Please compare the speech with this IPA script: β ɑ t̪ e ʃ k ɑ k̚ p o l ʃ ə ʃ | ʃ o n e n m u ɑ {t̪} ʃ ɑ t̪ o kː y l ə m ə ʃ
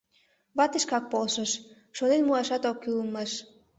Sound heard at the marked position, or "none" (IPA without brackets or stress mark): none